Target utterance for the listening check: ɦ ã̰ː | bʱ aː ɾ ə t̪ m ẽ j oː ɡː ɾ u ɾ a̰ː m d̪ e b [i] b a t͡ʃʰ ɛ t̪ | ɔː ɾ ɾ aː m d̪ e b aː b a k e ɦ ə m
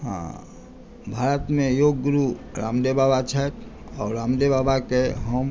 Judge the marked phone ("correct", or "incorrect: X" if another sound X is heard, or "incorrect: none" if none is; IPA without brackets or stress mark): incorrect: a